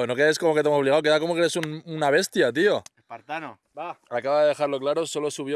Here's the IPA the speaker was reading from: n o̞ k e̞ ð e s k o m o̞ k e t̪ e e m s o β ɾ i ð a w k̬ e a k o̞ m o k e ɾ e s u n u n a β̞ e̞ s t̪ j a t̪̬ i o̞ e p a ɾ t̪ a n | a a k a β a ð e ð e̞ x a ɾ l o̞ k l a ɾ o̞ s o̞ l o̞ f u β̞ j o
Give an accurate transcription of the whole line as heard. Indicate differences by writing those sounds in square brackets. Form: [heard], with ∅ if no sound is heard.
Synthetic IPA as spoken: n o̞ k e̞ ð e s k o m o̞ k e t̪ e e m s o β [l] i [ɣ] a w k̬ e a k o̞ m o k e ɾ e s u n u n a β̞ e̞ s t̪ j a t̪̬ i o̞ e p a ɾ t̪ a n | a a k a β a ð e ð e̞ x a ɾ l o̞ k l a ɾ o̞ s o̞ l o̞ [s] u β̞ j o